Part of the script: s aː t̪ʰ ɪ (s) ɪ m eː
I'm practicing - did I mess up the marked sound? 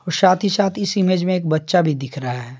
no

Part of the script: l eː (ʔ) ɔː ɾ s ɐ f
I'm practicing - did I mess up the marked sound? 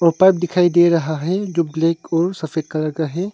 yes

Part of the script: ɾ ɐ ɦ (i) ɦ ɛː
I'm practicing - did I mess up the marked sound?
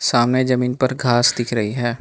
no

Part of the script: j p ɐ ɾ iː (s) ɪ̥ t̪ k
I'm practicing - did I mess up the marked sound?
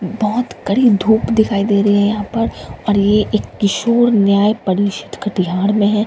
yes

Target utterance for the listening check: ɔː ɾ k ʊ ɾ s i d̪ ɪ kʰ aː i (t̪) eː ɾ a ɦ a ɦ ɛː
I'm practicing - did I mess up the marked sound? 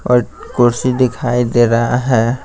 yes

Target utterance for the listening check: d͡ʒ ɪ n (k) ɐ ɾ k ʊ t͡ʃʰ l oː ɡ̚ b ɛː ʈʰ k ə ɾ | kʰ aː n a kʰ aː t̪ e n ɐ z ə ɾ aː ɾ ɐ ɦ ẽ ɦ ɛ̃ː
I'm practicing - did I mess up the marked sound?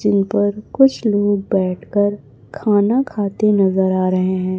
yes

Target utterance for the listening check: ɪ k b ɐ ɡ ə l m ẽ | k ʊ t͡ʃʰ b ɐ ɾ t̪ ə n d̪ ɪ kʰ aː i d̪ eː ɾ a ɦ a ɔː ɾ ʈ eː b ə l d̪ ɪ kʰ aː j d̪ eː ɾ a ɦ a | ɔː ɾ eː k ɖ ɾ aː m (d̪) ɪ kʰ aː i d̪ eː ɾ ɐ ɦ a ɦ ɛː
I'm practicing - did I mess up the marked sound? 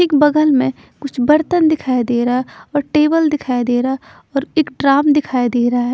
no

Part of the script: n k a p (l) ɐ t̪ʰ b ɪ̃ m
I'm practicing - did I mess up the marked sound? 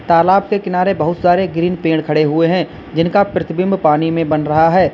yes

